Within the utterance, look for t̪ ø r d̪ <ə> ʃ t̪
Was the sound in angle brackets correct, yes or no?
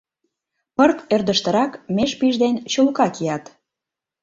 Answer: yes